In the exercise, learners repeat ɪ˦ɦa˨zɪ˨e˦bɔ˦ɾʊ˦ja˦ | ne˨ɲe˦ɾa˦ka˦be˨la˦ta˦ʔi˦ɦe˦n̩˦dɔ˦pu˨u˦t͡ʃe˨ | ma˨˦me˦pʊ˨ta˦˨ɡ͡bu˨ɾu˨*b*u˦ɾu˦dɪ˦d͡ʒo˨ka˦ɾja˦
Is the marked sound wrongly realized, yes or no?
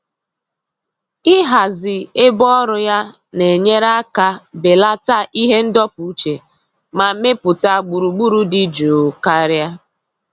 yes